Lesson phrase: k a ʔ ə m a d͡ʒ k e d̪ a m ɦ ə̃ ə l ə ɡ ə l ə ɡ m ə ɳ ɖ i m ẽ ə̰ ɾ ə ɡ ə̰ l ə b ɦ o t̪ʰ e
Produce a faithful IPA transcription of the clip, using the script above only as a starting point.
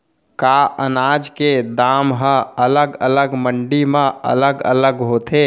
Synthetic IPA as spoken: k a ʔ ə n a d͡ʒ k e d̪ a m ɦ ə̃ ə l ə ɡ ə l ə ɡ m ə ɳ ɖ i m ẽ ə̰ l ə ɡ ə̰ l ə ɡ ɦ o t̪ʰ e